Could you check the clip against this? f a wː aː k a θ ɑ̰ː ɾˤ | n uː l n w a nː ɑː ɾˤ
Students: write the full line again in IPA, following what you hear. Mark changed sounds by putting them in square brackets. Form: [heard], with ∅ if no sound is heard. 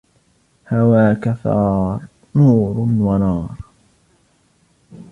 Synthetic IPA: [h] a [w] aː k a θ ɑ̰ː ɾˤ | n uː [ɾ] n w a [n] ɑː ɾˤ